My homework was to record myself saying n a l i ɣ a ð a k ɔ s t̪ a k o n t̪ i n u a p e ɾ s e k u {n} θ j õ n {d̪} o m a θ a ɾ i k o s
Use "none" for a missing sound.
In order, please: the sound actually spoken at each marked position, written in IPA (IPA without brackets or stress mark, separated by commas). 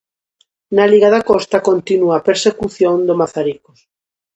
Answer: none, d̪